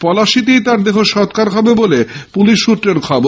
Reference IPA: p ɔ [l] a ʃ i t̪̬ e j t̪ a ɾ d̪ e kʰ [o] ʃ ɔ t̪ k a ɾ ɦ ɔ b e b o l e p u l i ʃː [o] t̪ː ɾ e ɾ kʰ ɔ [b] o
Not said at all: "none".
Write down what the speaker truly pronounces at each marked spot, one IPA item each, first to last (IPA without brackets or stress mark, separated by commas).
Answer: l, o, u, b